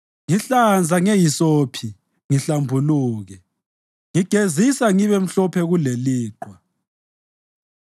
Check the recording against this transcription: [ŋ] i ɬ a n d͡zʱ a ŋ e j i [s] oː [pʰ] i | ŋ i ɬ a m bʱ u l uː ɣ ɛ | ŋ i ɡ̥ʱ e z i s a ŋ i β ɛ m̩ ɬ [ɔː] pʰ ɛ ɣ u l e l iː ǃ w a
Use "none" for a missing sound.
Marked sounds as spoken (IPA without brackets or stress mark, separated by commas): ŋ, s, pʰ, ɔ